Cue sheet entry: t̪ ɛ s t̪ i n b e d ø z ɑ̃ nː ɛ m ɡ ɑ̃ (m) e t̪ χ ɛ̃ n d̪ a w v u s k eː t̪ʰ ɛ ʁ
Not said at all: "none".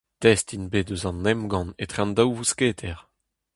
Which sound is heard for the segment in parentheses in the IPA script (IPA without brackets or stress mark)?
n